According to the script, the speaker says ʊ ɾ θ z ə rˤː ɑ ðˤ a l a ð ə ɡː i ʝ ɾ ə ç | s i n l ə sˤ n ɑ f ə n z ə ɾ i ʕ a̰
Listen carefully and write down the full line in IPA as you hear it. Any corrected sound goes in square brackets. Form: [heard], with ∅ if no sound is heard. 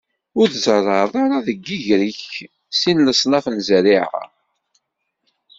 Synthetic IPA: ʊ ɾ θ z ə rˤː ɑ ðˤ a [ɾ] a ð ə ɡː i ʝ ɾ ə ç | s i n l ə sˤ n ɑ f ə n z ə ɾ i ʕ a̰